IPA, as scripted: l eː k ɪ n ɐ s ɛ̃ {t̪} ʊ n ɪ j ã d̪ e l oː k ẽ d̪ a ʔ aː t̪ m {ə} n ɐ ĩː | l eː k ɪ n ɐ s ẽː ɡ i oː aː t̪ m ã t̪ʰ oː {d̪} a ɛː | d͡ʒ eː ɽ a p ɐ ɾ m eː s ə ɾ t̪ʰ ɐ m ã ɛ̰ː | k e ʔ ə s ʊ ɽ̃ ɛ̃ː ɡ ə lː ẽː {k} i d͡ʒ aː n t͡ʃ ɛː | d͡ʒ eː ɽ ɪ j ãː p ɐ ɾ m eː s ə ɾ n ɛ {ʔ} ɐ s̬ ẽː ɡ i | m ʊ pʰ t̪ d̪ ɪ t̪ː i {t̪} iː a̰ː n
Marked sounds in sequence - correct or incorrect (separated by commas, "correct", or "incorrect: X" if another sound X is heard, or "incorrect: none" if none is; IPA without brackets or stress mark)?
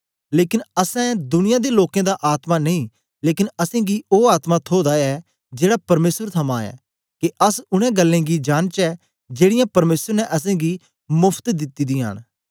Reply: incorrect: d̪, incorrect: a, correct, incorrect: ɡ, correct, incorrect: d̪